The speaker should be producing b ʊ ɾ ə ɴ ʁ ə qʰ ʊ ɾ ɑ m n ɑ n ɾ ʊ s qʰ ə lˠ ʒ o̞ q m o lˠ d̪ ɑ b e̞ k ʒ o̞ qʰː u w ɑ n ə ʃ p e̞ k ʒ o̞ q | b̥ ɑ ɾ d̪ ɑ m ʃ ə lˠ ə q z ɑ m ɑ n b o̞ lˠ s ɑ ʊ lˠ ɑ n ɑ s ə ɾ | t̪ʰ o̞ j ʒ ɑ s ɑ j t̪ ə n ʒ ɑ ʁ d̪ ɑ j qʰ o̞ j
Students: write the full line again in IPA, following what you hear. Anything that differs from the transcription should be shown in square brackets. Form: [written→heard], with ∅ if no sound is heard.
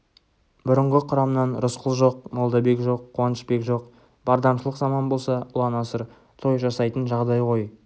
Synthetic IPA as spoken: b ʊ ɾ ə ɴ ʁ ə qʰ ʊ ɾ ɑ m n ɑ n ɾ ʊ s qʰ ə lˠ ʒ o̞ q m o lˠ d̪ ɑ b e̞ k ʒ o̞ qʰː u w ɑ n ə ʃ p e̞ k ʒ o̞ q | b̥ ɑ ɾ d̪ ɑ m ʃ ə lˠ ə q z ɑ m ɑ n b o̞ lˠ s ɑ ʊ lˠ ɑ n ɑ s ə ɾ | t̪ʰ o̞ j ʒ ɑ s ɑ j t̪ ə n ʒ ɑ ʁ d̪ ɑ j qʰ o̞ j